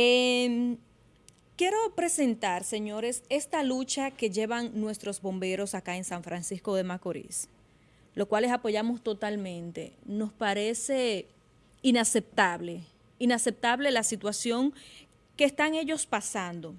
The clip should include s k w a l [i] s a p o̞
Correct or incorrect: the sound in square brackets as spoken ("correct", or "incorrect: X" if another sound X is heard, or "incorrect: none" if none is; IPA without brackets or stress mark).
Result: incorrect: e